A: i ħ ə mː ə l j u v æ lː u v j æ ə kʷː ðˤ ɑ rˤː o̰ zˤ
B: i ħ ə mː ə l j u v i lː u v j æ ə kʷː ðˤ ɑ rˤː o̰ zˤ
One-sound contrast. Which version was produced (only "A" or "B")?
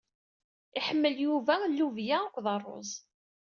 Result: A